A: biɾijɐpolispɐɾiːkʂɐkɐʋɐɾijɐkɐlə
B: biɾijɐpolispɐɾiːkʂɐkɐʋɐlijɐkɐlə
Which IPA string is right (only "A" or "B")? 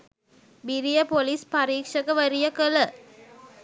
A